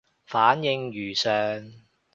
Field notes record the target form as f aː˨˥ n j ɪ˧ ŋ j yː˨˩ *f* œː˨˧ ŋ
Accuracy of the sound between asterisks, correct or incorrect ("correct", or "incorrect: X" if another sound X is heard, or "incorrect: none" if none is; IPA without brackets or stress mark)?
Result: incorrect: s